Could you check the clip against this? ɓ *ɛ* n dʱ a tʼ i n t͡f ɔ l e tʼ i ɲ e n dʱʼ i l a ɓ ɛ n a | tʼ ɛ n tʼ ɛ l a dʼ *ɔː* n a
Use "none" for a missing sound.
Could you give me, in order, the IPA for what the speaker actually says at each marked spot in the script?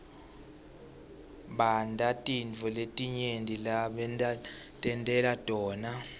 a, ɔː

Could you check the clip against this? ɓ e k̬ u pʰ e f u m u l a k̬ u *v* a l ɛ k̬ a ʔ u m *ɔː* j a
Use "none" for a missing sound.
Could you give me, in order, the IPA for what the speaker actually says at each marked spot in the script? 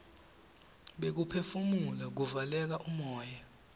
v, ɔː

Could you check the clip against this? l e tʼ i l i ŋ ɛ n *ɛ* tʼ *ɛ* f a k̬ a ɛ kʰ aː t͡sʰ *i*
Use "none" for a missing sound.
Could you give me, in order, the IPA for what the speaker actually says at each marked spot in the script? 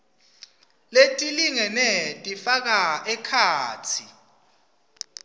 ɛ, i, i

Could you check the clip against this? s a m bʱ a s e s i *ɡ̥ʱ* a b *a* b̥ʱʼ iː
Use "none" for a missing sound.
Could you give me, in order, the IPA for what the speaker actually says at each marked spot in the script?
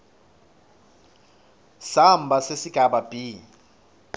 ɡ̥ʱ, a

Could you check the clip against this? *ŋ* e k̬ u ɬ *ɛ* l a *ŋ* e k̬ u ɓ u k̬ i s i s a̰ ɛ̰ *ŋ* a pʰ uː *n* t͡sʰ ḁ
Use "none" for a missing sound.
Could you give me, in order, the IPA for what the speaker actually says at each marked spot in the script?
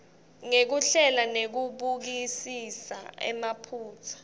ŋ, ɛ, n, m, none

